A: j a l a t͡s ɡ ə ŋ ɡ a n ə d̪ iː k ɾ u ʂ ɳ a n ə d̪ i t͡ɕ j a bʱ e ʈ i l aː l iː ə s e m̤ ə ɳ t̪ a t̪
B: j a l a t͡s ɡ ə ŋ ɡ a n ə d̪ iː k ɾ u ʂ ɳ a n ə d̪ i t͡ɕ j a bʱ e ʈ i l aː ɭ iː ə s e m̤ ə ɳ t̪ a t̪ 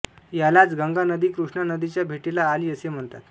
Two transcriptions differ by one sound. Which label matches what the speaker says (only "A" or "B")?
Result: A